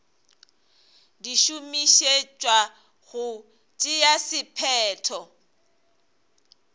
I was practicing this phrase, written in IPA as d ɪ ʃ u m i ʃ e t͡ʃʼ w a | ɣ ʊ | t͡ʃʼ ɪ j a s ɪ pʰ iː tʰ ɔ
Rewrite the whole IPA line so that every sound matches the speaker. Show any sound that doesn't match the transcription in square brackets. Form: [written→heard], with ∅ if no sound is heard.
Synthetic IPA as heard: d [ɪ→i] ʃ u m i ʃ e t͡ʃʼ w a | ɣ ʊ | t͡ʃʼ ɪ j a s ɪ pʰ [iː→ɛː] tʰ ɔ